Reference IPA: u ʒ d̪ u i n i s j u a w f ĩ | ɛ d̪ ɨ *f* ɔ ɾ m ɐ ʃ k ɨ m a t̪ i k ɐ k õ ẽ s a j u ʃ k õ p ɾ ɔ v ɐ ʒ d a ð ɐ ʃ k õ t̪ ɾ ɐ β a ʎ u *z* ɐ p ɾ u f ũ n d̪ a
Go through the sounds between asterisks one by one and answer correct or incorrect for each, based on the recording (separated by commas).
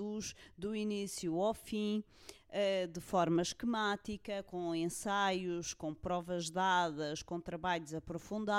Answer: correct, correct